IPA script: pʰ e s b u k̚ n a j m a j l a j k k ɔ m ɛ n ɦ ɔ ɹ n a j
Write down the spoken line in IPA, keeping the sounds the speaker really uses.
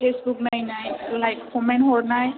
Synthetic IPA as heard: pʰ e s b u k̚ n a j n a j l a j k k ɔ m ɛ n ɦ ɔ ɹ n a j